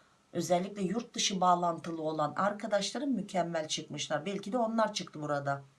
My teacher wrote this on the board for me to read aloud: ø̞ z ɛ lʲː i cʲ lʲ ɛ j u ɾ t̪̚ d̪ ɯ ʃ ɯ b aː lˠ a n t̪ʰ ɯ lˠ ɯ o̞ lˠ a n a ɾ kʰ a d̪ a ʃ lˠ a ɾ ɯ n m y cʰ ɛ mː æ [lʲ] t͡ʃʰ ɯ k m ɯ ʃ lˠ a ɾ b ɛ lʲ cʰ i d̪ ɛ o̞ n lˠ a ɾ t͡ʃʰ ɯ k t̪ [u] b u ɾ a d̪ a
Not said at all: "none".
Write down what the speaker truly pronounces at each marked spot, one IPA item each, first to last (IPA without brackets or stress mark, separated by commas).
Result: lʲ, ɯ